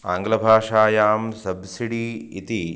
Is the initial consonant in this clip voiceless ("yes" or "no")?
no